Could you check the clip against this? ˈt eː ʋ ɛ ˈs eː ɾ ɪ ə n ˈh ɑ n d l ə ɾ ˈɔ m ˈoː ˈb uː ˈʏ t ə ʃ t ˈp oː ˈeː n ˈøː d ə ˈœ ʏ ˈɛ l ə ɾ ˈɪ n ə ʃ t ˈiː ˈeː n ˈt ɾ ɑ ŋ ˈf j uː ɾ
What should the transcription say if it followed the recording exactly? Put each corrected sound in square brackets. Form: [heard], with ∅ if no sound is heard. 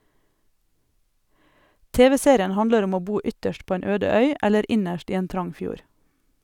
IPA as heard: ˈt eː ʋ ɛ ˈs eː ɾ ɪ ə n ˈh ɑ n d l ə ɾ ˈɔ m ˈoː ˈb uː ˈʏ t ə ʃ t ˈp oː ˈeː n ˈøː d ə ˈœ ʏ ˈɛ l ə ɾ ˈɪ n ə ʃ t ˈiː ˈeː n ˈt ɾ ɑ ŋ ˈf j uː ɾ